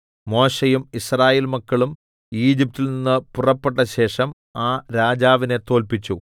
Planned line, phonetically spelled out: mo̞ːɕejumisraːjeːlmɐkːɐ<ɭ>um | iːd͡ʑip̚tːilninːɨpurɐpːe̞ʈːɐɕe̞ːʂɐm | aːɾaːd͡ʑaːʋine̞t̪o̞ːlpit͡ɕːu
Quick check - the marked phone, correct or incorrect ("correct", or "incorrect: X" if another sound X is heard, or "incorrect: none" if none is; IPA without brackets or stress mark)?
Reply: correct